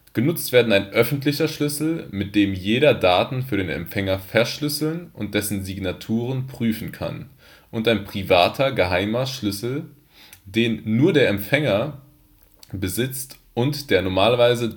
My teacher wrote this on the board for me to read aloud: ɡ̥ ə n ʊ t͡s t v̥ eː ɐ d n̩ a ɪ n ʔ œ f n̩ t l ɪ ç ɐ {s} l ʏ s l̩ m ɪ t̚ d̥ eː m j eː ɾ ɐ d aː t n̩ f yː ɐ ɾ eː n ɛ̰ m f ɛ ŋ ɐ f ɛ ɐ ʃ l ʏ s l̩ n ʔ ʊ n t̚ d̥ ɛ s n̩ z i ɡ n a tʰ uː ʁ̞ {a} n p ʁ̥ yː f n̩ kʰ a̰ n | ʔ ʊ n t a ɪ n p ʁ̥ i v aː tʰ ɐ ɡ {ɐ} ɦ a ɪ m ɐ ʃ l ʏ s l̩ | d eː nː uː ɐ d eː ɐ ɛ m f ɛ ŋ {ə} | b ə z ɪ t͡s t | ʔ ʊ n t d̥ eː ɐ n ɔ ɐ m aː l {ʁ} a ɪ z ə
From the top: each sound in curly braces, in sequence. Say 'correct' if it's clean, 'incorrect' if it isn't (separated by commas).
incorrect, incorrect, incorrect, incorrect, incorrect